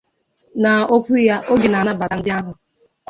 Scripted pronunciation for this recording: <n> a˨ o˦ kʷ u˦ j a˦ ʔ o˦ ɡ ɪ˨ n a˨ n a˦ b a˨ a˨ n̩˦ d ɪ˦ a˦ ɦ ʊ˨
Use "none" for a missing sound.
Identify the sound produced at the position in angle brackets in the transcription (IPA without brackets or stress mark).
n